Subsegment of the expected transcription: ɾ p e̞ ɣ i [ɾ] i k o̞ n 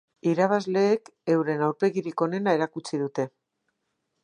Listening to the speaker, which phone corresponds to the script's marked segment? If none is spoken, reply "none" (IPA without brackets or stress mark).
ɾ